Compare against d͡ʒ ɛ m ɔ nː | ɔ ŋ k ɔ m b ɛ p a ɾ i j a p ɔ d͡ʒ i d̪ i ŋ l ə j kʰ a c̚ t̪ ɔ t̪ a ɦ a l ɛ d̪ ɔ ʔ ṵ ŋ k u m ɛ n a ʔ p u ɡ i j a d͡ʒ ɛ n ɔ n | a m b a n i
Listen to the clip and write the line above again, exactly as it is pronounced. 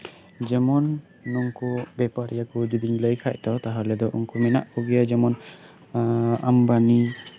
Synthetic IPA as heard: d͡ʒ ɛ m ɔ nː | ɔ ŋ k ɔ b ɛ p a ɾ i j a k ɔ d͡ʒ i d̪ i ŋ l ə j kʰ a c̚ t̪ ɔ t̪ a ɦ a l ɛ d̪ ɔ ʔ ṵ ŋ k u m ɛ n a ʔ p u ɡ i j a d͡ʒ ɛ m ɔ n | a m b a n i

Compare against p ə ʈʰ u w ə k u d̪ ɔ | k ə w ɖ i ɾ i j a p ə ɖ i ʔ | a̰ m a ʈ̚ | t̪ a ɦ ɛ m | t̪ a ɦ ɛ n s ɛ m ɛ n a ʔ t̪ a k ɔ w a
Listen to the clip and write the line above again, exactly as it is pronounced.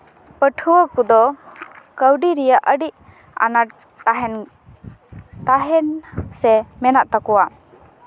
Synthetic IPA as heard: p ə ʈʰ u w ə k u d̪ ɔ | k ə w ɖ i ɾ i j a ʔ ə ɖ i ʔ | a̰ n a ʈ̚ | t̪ a ɦ ɛ n | t̪ a ɦ ɛ n s ɛ m ɛ n a ʔ t̪ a k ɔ w a

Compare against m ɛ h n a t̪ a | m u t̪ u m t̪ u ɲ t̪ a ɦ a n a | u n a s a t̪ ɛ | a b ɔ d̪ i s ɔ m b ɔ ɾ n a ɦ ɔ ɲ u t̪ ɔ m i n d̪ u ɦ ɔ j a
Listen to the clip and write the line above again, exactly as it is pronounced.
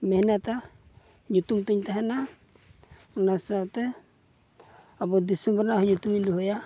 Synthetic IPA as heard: m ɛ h n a t̪ a | ɲ u t̪ u m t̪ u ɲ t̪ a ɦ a n a | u n a s a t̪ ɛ | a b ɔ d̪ i s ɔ m b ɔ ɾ n a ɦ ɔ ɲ u t̪ u m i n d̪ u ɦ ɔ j a

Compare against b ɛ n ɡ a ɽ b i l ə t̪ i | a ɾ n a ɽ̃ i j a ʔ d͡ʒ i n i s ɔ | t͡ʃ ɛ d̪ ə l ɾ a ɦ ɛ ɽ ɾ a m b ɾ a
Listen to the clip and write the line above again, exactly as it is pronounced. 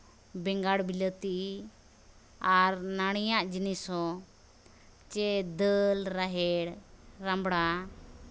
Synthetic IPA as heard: b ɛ ŋ ɡ a ɽ b i l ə t̪ i | a ɾ n a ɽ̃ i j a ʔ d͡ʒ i n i s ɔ | t͡ʃ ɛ d̪ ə l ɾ a ɦ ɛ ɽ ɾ a m b ɽ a

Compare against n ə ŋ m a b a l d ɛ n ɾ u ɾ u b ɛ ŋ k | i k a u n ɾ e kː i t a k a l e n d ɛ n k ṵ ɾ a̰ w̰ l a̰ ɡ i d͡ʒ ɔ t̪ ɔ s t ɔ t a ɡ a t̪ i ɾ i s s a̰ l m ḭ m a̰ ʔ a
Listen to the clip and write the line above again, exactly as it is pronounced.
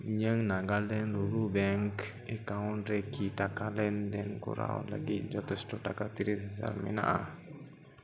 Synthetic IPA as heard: ɲ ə ŋ n a ɡ a l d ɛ n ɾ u ɾ u b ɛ ŋ k | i k a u n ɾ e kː i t a k a l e n d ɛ n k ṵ ɾ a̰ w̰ l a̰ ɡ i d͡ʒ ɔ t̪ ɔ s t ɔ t a k a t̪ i ɾ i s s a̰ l m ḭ n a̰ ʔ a

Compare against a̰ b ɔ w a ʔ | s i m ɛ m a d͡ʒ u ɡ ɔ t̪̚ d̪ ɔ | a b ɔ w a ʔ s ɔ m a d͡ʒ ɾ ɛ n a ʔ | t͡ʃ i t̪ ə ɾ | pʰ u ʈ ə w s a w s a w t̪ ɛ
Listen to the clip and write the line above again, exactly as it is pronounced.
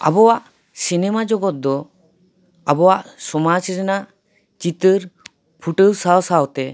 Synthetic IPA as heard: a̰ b ɔ w a ʔ | s i n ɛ m a d͡ʒ ɔ ɡ ɔ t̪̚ d̪ ɔ | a b ɔ w a ʔ s ɔ m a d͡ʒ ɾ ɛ n a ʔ | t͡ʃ i t̪ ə ɾ | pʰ u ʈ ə w s a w s a w t̪ ɛ

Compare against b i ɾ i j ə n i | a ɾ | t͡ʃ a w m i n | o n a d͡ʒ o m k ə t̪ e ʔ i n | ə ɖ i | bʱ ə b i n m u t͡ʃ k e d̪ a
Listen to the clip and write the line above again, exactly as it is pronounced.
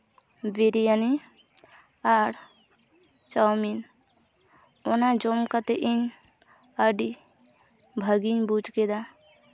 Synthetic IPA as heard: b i ɾ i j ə n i | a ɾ | t͡ʃ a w m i n | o n a d͡ʒ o m k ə t̪ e ʔ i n | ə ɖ i | bʱ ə ɡ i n b u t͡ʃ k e d̪ a

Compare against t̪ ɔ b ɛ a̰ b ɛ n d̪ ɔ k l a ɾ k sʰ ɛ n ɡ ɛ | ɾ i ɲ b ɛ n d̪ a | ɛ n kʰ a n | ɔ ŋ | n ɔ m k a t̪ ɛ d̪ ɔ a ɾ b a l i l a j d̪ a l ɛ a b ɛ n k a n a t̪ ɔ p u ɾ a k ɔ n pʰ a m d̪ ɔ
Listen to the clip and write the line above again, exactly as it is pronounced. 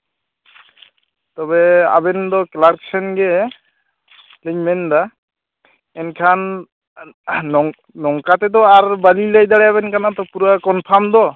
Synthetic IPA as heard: t̪ ɔ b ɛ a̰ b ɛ n d̪ ɔ k l a ɾ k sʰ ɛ n ɡ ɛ | l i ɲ m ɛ n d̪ a | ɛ n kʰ a n | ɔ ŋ | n ɔ ŋ k a t̪ ɛ d̪ ɔ a ɾ b a l i l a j d̪ a ɽ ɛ a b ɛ n k a n a t̪ ɔ p u ɾ a k ɔ n pʰ a m d̪ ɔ

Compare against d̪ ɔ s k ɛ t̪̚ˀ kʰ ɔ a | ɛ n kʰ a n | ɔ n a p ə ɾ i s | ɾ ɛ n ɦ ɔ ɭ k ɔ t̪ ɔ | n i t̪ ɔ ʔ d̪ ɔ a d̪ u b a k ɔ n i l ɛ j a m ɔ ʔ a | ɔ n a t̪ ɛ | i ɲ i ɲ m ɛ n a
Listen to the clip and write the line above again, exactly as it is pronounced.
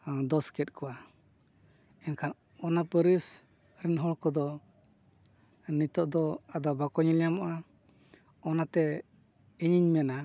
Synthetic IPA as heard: d̪ ɔ s k ɛ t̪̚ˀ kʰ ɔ a | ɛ n kʰ a n | ɔ n a p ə ɾ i s | ɾ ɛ n ɦ ɔ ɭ k ɔ d̪ ɔ | n i t̪ ɔ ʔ d̪ ɔ a d̪ ɔ b a k ɔ ɲ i l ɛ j a m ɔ ʔ a | ɔ n a t̪ ɛ | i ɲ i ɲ m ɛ n a

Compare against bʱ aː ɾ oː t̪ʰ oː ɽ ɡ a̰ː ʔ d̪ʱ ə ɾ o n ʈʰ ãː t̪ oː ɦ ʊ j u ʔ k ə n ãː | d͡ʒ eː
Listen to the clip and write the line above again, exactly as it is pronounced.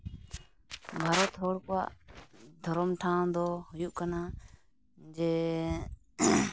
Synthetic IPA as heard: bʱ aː ɾ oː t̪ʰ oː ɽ k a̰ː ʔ d̪ʱ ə ɾ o m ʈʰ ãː d̪ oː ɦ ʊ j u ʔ k ə n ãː | d͡ʒ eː

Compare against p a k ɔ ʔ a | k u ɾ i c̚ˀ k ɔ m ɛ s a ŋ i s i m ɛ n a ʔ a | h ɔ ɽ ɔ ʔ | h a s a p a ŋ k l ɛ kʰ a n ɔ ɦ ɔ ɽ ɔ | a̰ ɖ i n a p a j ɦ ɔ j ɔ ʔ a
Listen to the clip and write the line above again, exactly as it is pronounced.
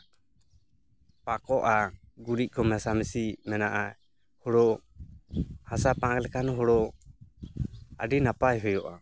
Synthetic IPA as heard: p a k ɔ ʔ a | ɡ u ɾ i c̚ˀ k ɔ m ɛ s a m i s i m ɛ n a ʔ a | h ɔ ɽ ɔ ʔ | h a s a p a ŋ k l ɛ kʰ a n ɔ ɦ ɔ ɽ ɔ | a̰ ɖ i n a p a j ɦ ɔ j ɔ ʔ a

